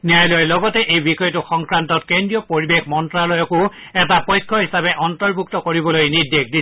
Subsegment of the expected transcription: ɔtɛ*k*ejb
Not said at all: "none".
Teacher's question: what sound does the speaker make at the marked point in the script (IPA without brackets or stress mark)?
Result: ʔ